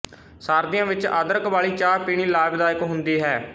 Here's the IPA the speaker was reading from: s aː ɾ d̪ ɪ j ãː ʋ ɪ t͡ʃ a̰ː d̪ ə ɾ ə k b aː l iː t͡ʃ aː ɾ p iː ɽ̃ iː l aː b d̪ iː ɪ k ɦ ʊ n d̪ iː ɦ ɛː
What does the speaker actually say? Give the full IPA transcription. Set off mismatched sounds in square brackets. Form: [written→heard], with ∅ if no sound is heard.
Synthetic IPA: s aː ɾ d̪ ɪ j ãː ʋ ɪ t͡ʃ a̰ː d̪ ə ɾ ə k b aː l iː t͡ʃ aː ɾ p iː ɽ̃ iː l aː b d̪ [iː→aː] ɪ k ɦ ʊ n d̪ iː ɦ ɛː